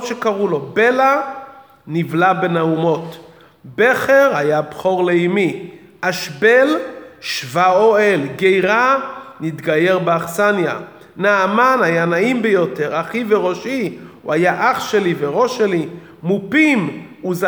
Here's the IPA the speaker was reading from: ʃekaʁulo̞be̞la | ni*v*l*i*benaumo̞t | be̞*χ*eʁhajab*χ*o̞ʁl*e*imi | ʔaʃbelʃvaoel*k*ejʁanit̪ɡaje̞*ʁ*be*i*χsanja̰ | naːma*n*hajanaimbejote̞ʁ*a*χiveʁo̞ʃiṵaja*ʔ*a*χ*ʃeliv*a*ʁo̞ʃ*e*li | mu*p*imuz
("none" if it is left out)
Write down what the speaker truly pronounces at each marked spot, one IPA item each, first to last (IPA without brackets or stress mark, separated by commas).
v, a, χ, χ, e, ɡ, ʁ, a, n, a, ʔ, χ, e, e, p